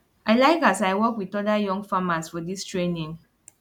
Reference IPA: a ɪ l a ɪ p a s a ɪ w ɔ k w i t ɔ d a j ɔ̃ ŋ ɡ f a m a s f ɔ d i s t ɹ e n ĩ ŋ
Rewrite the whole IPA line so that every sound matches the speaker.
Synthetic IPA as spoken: a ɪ l a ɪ k a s a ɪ w ɔ k w i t ɔ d a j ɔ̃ ŋ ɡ f a m a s f ɔ d i s t ɹ e n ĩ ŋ